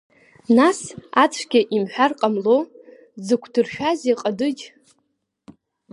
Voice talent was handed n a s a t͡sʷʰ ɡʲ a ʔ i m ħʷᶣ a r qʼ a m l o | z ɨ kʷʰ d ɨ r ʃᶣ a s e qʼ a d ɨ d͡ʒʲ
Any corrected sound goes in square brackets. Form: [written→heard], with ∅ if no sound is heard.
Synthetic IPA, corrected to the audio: n a s a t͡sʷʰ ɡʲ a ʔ i m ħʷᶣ a r qʼ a m l o | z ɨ kʷʰ d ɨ r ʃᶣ a [s→z] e qʼ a d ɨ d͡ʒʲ